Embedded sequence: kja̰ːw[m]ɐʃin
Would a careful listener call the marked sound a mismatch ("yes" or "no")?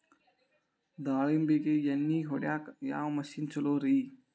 no